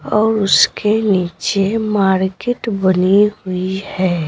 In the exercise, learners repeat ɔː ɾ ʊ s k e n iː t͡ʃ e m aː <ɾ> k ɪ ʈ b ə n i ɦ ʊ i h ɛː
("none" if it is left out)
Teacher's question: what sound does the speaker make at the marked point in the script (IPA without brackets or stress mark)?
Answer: ɾ